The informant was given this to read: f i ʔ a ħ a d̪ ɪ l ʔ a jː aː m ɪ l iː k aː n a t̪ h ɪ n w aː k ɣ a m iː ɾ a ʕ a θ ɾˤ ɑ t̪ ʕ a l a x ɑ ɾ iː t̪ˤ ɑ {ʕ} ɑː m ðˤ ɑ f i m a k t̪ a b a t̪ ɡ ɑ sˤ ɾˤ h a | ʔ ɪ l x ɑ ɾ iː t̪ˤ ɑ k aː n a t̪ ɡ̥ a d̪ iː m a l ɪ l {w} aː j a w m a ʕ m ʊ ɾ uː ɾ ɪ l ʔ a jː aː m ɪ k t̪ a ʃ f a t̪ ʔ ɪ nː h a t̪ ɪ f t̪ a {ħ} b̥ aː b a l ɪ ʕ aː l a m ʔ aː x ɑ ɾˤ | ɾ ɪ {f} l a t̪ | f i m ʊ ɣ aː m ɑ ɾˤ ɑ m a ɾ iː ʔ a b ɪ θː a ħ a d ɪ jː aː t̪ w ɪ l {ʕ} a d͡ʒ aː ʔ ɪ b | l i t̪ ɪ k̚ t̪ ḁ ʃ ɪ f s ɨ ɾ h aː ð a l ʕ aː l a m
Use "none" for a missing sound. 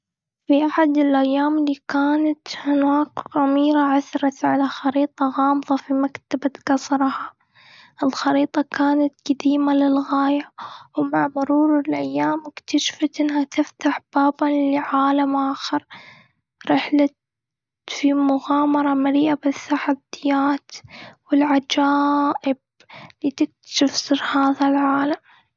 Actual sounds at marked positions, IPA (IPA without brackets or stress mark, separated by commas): ɣ, ɣ, ħ, ħ, ʕ